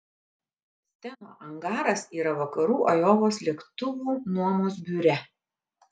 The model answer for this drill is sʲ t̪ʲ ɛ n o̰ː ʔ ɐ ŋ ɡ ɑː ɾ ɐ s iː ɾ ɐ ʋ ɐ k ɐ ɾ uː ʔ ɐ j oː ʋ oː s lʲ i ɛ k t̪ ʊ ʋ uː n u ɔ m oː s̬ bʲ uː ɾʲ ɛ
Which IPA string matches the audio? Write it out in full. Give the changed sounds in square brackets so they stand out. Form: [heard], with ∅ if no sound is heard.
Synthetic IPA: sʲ t̪ʲ ɛ n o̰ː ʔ ɐ ŋ ɡ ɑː ɾ ɐ s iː ɾ ɐ ʋ ɐ k ɐ ɾ uː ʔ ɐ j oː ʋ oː s lʲ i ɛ k t̪ ʊ ʋ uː n u ɔ m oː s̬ bʲ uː ɾʲ ɛ

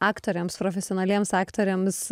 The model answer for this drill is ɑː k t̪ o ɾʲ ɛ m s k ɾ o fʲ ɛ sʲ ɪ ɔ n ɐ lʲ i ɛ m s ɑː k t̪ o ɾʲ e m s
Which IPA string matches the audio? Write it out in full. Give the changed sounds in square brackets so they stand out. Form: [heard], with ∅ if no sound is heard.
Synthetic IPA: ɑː k t̪ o ɾʲ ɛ m s [p] ɾ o fʲ ɛ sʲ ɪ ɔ n ɐ lʲ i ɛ m s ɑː k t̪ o ɾʲ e m s

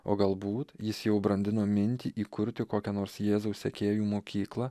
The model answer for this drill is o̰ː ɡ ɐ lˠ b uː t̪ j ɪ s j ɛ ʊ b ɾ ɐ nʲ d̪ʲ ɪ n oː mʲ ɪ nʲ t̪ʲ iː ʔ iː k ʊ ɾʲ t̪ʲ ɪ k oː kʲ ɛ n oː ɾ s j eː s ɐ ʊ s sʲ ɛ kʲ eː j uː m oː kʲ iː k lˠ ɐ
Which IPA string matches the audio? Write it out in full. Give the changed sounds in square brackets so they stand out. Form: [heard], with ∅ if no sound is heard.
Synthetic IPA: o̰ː ɡ ɐ lˠ b uː t̪ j ɪ s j ɛ ʊ b ɾ ɐ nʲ d̪ʲ ɪ n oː mʲ ɪ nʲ t̪ʲ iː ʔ iː k ʊ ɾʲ t̪ʲ ɪ k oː kʲ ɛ n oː ɾ s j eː [z] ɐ ʊ s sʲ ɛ kʲ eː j uː m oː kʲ iː k lˠ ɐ

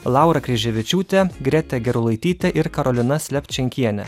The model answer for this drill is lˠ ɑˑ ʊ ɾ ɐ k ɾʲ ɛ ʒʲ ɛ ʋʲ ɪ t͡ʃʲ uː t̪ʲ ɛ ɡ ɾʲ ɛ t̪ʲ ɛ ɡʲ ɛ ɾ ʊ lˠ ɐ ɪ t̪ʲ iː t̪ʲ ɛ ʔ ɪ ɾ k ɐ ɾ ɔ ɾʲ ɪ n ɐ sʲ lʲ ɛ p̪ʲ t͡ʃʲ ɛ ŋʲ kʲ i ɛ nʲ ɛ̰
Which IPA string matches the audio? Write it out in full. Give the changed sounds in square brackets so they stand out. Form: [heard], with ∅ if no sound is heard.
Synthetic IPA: lˠ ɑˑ ʊ ɾ ɐ k ɾʲ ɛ ʒʲ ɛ ʋʲ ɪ t͡ʃʲ uː t̪ʲ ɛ ɡ ɾʲ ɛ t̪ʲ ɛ ɡʲ ɛ ɾ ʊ lˠ ɐ ɪ t̪ʲ iː t̪ʲ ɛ ʔ ɪ ɾ k ɐ ɾ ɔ [lʲ] ɪ n ɐ sʲ lʲ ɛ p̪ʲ t͡ʃʲ ɛ ŋʲ kʲ i ɛ nʲ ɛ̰

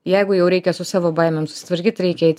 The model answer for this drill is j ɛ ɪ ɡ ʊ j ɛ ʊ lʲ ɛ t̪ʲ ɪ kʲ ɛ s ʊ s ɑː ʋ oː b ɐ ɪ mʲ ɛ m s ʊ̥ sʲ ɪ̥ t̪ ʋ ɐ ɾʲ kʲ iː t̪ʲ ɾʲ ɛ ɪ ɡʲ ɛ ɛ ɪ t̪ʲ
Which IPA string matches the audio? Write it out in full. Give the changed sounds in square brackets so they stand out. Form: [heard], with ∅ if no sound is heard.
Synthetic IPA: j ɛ ɪ ɡ ʊ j ɛ ʊ [ɾʲ] ɛ [∅] ɪ kʲ ɛ s ʊ s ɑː ʋ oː b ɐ ɪ mʲ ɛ m s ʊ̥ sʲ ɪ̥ t̪ ʋ ɐ ɾʲ kʲ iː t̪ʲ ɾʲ ɛ ɪ [kʲ] ɛ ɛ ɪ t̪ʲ

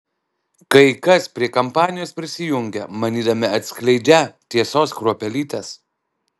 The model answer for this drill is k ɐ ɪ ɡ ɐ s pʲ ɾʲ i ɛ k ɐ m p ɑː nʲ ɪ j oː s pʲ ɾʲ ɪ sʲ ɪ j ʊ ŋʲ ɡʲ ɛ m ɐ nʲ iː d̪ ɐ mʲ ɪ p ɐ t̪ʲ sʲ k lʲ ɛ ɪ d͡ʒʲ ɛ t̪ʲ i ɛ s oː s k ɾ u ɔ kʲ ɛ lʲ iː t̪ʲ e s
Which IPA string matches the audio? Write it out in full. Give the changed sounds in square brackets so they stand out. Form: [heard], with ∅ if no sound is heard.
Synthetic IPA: k ɐ ɪ [k] ɐ s pʲ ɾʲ i ɛ k ɐ m p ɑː nʲ ɪ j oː s pʲ ɾʲ ɪ sʲ ɪ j ʊ ŋʲ ɡʲ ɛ m ɐ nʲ iː d̪ ɐ mʲ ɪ [∅] ɐ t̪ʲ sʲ k lʲ ɛ ɪ d͡ʒʲ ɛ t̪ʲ i ɛ s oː s k ɾ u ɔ [pʲ] ɛ lʲ iː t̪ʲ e s

